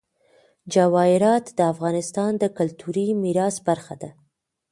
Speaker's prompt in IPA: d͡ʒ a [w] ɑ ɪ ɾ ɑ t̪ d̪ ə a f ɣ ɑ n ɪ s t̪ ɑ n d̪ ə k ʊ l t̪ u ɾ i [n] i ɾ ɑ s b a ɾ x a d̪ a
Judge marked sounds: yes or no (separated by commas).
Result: yes, no